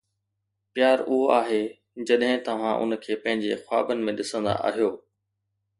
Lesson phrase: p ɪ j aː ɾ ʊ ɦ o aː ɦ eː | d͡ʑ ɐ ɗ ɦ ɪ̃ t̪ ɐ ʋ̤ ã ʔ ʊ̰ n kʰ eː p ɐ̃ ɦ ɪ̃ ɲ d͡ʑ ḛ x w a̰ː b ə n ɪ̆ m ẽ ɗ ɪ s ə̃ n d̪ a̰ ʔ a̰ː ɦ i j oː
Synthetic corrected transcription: p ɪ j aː ɾ ʊ ɦ o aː ɦ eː | d͡ʑ ɐ ɗ ɦ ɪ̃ t̪ ɐ ʋ̤ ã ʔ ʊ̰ n kʰ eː p ɐ̃ ɦ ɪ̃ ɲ d͡ʑ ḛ x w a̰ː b ə n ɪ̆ m ẽ ɗ ɪ s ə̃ n d̪ a̰ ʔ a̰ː ɦ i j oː